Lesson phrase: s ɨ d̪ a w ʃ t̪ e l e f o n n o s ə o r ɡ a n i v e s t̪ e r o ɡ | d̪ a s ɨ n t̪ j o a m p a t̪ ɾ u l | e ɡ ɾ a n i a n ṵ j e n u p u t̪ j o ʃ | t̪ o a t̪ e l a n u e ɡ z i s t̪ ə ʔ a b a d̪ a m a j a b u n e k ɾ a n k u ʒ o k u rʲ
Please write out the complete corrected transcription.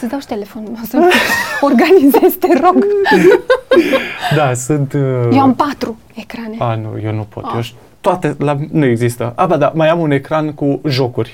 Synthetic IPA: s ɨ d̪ a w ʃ t̪ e l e f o n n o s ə o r ɡ a n i z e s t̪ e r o ɡ | d̪ a s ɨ n t̪ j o a m p a t̪ ɾ u | e k ɾ a n e a n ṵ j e n u p o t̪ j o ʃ | t̪ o a t̪ e l a n u e ɡ z i s t̪ ə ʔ a b a d̪ a m a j a m u n e k ɾ a n k u ʒ o k u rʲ